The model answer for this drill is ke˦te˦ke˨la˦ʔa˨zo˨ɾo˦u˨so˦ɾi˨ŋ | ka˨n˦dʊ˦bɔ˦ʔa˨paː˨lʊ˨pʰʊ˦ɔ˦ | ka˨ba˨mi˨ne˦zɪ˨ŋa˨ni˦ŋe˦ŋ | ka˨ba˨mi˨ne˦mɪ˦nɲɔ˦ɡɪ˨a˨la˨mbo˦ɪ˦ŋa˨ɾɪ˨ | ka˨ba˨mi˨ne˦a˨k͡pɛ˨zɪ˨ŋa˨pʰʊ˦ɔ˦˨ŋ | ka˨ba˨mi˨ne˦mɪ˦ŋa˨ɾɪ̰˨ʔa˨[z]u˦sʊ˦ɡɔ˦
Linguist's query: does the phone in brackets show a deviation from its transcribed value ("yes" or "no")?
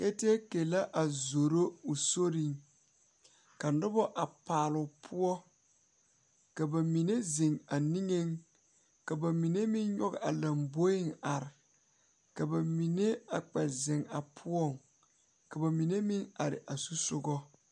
yes